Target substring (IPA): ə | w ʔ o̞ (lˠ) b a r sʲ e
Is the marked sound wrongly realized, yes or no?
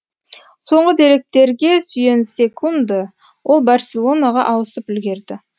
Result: no